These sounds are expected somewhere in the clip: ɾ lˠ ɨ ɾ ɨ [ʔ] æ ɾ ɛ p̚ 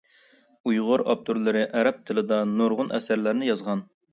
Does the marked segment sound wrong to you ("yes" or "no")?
no